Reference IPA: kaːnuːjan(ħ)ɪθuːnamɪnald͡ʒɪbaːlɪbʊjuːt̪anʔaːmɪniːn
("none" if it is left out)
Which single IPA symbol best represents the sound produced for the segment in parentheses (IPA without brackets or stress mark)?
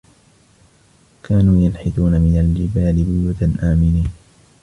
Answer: ħ